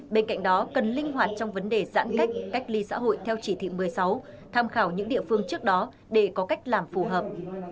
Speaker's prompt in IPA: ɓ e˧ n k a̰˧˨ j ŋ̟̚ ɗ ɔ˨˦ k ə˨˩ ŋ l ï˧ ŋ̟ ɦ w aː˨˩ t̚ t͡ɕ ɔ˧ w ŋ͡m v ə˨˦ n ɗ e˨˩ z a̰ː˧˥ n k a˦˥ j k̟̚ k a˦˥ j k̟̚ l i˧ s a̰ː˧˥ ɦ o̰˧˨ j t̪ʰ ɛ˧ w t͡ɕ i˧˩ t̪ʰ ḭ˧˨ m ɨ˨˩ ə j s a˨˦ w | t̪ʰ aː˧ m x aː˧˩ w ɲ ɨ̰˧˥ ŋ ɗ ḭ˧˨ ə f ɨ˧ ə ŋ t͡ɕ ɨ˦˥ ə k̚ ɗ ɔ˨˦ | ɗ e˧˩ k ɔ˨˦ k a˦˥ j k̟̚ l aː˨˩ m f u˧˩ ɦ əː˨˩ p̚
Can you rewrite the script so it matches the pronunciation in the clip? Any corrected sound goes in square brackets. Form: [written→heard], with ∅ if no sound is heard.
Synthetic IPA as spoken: ɓ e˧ n k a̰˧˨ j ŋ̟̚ ɗ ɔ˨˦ k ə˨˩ [ŋ→n] l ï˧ ŋ̟ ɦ w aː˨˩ t̚ t͡ɕ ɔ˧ w ŋ͡m v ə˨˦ n ɗ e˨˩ z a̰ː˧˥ n k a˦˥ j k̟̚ k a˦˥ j k̟̚ l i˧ s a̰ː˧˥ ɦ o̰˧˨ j t̪ʰ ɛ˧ w t͡ɕ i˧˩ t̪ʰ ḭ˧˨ m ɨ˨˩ ə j s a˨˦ w | t̪ʰ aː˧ m x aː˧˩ w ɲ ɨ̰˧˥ ŋ ɗ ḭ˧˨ ə f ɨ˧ ə ŋ t͡ɕ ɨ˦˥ ə k̚ ɗ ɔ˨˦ | ɗ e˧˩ k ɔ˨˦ k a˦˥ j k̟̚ l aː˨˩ m f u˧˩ ɦ əː˨˩ p̚